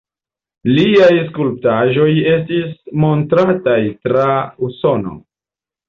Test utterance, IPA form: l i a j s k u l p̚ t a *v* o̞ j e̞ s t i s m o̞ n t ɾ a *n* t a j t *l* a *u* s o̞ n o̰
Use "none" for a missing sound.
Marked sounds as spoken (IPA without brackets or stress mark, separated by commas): ʒ, none, ɾ, u